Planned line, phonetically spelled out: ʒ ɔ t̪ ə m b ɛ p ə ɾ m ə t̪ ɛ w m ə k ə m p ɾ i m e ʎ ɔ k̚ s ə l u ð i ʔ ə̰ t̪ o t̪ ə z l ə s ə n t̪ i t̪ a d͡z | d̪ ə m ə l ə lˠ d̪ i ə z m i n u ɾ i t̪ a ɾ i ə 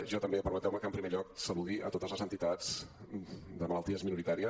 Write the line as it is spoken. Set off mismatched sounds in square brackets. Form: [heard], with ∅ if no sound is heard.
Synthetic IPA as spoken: ʒ ɔ t̪ ə m b [e] p ə ɾ m ə t̪ ɛ w m ə k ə m p ɾ i m e ʎ ɔ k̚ s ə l u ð i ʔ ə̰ t̪ o t̪ ə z l ə [z] ə n t̪ i t̪ a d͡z | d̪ ə m ə l ə lˠ [t̪] i ə z m i n u ɾ i t̪ a ɾ i ə